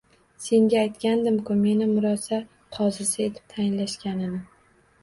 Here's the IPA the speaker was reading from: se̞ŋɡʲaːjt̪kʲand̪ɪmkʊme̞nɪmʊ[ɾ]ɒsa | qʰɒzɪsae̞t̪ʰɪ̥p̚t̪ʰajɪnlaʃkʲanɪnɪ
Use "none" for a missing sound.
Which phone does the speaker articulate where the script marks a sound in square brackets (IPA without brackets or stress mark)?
ɾ